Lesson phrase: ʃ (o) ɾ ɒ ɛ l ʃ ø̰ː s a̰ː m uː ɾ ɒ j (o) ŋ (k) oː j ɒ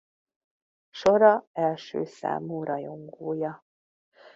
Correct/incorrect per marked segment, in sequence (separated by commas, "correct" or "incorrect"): correct, correct, incorrect